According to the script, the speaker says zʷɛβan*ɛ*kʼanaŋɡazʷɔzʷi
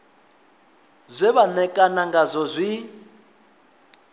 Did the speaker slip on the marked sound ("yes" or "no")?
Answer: no